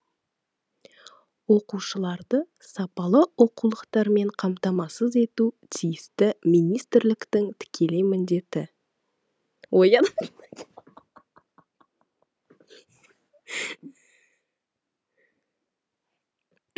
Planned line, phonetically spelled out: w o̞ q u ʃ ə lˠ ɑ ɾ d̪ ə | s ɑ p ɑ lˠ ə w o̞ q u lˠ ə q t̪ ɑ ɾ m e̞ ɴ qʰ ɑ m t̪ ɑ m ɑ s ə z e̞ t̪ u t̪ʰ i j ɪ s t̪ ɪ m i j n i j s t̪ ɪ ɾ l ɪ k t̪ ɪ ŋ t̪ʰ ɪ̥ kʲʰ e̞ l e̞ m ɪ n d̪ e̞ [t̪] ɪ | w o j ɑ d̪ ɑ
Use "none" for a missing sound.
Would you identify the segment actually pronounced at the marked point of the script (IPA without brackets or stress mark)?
t̪